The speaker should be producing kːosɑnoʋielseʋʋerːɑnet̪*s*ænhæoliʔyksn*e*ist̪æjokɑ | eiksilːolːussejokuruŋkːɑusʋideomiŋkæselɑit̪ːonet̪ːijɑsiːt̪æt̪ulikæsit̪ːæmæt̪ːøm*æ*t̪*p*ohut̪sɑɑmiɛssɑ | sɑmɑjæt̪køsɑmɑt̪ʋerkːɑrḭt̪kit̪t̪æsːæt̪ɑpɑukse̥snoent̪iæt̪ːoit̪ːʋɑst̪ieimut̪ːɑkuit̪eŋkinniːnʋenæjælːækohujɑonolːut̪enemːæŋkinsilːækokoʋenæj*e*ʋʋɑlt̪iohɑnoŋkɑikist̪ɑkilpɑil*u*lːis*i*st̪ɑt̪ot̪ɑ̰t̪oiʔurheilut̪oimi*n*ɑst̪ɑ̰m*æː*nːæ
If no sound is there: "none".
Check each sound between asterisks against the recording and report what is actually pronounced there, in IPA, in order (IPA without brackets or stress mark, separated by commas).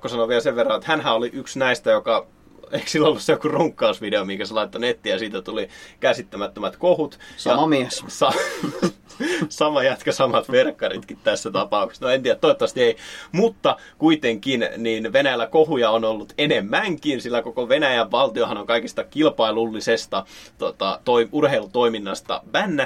h, æ, æ, k, æ, u, e, nː, æ